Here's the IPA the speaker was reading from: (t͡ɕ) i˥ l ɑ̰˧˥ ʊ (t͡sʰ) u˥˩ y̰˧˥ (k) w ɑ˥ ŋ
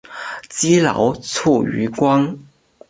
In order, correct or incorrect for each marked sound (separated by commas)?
correct, correct, correct